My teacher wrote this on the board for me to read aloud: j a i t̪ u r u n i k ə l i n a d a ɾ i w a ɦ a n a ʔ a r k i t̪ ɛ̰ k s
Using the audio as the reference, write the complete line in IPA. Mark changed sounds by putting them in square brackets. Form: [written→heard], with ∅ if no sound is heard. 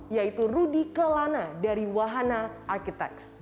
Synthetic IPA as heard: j a i t̪ u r u [n→d] i k ə l [i→a] n a d a ɾ i w a ɦ a n a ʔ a r k i t̪ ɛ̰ k s